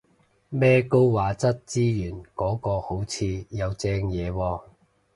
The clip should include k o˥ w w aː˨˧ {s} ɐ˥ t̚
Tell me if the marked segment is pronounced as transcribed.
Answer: no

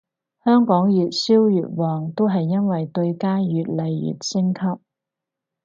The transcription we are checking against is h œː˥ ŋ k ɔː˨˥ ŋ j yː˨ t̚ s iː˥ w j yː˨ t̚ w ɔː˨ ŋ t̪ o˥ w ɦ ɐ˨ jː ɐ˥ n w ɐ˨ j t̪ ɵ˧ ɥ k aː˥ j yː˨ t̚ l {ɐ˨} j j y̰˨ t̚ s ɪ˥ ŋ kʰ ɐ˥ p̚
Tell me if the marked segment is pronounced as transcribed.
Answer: yes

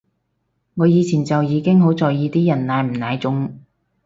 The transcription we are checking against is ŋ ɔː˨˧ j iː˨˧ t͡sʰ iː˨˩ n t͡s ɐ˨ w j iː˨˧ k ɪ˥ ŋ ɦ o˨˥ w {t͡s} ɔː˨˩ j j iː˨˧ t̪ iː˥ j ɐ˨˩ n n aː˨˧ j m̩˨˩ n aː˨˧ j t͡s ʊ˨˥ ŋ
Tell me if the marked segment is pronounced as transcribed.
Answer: yes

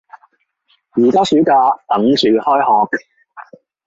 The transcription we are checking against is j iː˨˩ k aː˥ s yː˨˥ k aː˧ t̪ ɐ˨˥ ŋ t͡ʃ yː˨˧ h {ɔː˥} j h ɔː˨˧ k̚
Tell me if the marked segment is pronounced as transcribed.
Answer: yes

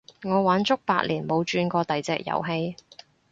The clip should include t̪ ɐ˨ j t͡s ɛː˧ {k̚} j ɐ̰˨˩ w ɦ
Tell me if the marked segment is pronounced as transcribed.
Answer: yes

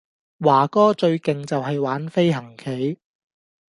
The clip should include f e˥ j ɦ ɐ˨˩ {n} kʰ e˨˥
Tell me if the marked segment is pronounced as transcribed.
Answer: no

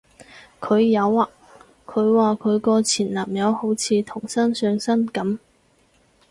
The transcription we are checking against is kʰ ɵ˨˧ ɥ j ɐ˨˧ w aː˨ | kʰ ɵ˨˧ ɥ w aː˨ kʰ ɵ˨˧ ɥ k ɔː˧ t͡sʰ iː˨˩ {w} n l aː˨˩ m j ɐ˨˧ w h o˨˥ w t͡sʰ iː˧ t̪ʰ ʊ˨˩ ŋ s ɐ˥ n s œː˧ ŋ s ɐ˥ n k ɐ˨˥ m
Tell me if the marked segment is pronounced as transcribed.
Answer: no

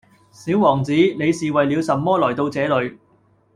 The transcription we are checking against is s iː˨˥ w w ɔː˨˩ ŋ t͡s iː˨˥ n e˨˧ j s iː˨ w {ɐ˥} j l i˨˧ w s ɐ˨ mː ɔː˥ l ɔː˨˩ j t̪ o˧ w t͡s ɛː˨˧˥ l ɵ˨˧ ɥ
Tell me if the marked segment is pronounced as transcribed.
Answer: no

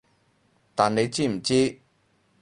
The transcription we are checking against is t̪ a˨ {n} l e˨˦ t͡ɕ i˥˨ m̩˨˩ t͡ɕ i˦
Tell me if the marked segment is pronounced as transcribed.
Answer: yes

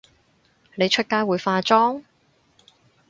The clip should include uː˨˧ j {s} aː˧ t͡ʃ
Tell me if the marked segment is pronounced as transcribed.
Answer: no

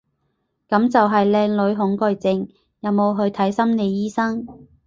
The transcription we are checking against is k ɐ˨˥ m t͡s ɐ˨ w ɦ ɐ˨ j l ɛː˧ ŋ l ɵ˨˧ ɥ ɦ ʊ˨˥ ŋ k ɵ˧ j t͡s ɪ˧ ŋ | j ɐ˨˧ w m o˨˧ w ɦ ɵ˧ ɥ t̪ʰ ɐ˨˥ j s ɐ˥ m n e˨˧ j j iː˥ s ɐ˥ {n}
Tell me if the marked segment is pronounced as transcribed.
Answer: no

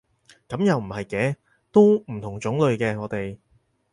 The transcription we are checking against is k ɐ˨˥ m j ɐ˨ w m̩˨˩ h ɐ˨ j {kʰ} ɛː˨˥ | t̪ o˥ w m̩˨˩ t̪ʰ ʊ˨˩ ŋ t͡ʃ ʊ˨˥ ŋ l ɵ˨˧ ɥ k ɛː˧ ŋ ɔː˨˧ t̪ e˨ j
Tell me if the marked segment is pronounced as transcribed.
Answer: no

